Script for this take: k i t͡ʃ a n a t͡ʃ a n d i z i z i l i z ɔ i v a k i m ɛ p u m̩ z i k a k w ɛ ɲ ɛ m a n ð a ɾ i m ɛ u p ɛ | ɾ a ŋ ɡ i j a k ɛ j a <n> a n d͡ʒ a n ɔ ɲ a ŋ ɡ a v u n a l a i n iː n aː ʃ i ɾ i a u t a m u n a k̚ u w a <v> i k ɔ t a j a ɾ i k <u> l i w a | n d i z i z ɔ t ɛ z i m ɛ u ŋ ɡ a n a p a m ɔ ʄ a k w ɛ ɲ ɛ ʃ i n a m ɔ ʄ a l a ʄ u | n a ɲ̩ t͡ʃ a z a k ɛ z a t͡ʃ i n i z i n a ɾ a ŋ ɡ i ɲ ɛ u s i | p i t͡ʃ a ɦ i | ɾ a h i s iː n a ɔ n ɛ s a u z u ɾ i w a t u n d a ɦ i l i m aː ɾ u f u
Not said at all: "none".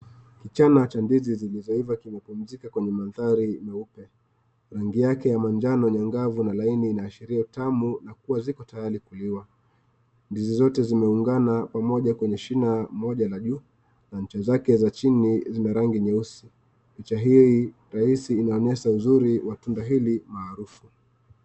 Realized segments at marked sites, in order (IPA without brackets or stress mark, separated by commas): m, z, u